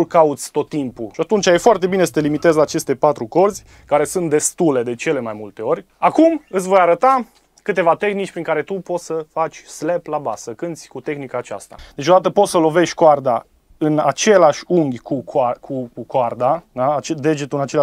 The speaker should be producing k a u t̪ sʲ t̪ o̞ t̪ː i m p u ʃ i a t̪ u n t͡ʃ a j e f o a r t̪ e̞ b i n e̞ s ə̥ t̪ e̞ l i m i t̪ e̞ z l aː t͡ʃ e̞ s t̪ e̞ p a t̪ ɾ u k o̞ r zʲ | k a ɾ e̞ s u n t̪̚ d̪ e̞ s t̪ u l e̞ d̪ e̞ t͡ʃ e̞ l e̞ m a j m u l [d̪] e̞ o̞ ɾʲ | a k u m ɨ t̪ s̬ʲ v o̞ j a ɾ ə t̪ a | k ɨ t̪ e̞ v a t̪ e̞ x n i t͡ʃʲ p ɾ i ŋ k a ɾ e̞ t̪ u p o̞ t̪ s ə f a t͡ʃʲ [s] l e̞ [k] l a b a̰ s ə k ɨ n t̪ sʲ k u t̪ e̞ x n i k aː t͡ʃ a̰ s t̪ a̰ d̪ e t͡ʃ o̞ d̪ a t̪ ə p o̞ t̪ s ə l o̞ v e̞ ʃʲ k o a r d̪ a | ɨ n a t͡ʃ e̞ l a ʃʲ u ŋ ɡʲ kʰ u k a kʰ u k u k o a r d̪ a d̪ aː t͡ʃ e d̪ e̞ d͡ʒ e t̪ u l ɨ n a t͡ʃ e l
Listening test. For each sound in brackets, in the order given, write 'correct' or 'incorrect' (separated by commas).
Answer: incorrect, correct, incorrect